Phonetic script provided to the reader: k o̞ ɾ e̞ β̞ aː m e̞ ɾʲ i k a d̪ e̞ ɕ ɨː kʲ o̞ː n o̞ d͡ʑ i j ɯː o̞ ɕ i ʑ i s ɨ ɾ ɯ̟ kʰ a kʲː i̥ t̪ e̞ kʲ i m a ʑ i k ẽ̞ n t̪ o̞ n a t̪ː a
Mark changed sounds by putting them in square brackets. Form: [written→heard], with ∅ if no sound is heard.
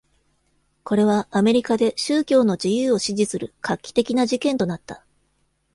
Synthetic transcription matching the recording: k o̞ ɾ e̞ β̞ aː m e̞ ɾʲ i k a d̪ e̞ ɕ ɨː kʲ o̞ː n o̞ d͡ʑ i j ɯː o̞ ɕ i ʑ i s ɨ ɾ ɯ̟ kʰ a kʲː i̥ t̪ e̞ kʲ i [m→n] a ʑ i k ẽ̞ n t̪ o̞ n a t̪ː a